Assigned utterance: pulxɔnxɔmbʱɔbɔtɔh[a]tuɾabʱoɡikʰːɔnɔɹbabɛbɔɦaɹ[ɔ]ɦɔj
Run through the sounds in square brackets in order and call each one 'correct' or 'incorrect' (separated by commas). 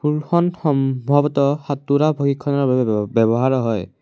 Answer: correct, correct